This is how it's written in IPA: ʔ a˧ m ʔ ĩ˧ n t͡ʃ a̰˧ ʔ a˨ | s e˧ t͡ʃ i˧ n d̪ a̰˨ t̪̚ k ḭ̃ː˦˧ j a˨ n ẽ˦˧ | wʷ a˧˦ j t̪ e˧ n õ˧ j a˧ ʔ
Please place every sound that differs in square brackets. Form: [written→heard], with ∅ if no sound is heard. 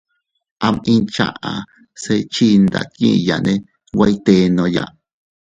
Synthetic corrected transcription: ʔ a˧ m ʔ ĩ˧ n t͡ʃ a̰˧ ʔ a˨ | s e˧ t͡ʃ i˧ n d̪ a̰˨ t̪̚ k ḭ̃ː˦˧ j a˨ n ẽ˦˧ | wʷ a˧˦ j t̪ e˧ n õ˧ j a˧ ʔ